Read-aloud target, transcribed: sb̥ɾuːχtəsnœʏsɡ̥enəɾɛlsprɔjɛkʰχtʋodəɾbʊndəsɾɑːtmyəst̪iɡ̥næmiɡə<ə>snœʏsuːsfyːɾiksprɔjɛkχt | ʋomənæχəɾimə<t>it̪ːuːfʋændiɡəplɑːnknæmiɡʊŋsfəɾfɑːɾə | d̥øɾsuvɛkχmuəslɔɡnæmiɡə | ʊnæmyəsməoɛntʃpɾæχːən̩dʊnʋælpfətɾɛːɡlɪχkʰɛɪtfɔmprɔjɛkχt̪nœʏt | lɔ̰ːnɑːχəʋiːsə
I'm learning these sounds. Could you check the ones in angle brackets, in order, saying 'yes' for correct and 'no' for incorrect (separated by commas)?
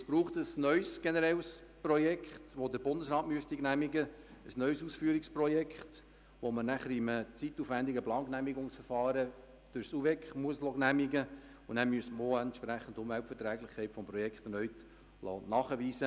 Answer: yes, no